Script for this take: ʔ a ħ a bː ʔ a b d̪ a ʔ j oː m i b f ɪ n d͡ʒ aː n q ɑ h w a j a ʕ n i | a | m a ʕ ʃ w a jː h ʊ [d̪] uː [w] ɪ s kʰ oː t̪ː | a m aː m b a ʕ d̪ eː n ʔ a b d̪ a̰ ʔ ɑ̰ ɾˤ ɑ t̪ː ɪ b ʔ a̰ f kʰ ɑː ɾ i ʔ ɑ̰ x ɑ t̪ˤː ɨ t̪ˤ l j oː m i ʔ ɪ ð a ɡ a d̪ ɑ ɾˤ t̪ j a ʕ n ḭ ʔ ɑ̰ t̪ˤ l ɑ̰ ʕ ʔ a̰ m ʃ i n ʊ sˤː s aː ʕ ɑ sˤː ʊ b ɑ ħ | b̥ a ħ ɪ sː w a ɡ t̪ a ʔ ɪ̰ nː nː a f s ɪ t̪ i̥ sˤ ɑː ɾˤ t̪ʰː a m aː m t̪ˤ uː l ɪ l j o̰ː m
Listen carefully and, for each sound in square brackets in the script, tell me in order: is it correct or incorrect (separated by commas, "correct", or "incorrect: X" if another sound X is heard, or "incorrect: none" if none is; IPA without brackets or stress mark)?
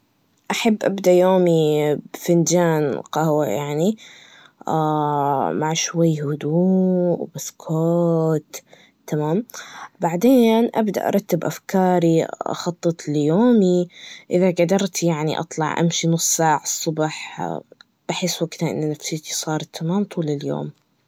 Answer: correct, incorrect: b